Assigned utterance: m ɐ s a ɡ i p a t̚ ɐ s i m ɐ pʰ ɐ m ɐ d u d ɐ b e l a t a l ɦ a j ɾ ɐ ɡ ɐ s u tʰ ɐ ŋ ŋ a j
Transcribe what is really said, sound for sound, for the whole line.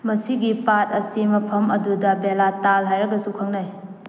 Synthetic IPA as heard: m ɐ s i ɡ i p a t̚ ɐ s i m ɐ pʰ ɐ m ɐ d u d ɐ b e l a t a l ɦ a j ɾ ɐ ɡ ɐ s u kʰ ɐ ŋ n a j